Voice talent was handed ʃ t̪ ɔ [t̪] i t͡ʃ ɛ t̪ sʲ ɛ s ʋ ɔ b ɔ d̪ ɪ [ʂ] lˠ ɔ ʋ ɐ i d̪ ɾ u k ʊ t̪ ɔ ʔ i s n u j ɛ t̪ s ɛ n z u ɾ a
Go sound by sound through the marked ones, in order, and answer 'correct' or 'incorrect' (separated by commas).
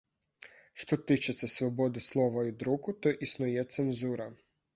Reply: correct, incorrect